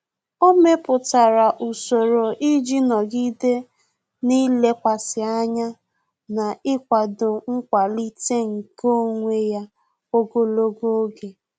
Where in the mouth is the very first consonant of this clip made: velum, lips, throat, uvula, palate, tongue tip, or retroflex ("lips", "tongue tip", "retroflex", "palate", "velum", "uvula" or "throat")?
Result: lips